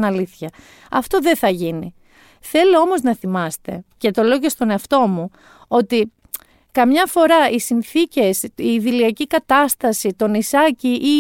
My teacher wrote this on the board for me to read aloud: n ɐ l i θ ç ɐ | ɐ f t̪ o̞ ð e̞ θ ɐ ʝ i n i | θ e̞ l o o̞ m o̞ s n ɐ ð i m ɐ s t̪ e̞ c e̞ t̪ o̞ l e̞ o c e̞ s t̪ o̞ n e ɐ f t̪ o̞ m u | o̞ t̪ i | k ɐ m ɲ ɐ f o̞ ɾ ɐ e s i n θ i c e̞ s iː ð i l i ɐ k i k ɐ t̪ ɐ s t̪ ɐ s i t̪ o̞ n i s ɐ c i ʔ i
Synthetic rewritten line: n ɐ l i θ ç ɐ | ɐ f t̪ o̞ ð e̞ θ ɐ ʝ i n i | θ e̞ l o o̞ m o̞ z n ɐ θ i m ɐ s t̪ e̞ c e̞ t̪ o̞ l e̞ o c e̞ s t̪ o̞ n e ɐ f t̪ o̞ m u | o̞ t̪ i | k ɐ m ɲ ɐ f o̞ ɾ ɐ i s i n θ i c e̞ s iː ð i l i ɐ c i k ɐ t̪ ɐ s t̪ ɐ s i t̪ o̞ n i s ɐ c i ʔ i